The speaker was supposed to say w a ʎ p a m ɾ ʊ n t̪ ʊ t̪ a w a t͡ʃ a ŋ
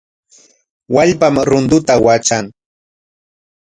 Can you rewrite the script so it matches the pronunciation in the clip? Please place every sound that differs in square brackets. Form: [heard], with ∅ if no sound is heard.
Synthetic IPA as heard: w a ʎ p a m ɾ ʊ n [d̪] ʊ t̪ a w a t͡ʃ a ŋ